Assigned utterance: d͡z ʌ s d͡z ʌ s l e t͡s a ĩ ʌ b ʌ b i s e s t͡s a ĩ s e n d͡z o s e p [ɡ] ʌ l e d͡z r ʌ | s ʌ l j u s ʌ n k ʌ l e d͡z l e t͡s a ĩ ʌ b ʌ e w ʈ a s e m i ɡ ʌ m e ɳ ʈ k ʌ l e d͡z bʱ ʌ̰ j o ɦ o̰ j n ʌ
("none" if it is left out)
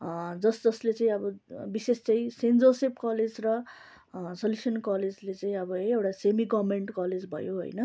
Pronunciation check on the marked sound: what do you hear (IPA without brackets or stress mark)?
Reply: k